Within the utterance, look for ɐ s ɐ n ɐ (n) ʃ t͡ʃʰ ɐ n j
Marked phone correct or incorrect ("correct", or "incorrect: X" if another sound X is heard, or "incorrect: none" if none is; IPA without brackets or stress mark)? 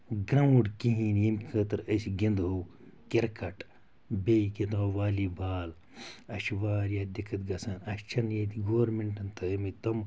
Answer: incorrect: none